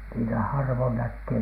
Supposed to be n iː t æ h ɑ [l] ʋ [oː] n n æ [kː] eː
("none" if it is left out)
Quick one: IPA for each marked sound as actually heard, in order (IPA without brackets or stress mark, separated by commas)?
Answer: r, o, kː